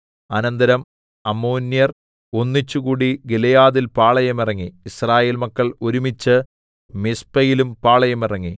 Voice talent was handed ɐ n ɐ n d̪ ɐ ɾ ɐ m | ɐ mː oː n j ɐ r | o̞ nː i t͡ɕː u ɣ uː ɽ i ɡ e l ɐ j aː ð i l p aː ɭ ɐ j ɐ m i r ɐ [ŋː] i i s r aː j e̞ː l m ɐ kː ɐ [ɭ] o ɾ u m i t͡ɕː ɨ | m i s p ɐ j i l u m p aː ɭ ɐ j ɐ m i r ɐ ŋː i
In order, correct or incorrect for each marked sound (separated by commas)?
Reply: correct, correct